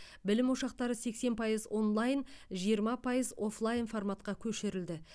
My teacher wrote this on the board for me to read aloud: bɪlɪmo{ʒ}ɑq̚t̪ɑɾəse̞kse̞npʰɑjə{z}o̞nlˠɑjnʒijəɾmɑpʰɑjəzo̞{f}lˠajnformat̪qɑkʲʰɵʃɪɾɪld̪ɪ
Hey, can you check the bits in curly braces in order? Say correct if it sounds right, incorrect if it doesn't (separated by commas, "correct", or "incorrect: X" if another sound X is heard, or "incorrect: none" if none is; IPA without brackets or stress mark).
incorrect: ʃ, correct, correct